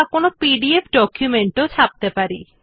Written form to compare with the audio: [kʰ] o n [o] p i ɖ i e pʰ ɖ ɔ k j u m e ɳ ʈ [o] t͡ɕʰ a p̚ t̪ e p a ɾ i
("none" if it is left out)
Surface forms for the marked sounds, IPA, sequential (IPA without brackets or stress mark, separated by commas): k, o, o